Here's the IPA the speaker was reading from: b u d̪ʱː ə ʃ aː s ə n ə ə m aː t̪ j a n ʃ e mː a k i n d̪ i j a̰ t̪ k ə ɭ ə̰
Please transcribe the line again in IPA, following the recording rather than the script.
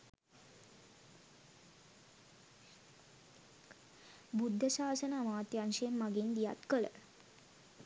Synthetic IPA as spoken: b u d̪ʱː ə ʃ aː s ə n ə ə m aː t̪ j a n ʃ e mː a ɡ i n d̪ i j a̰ t̪ k ə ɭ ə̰